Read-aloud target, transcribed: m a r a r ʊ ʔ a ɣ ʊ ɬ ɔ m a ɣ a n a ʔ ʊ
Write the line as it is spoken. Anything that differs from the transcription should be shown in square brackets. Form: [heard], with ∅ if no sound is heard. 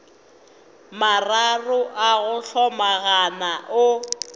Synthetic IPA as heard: m a r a r ʊ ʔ a ɣ ʊ ɬ ɔ m a ɣ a n a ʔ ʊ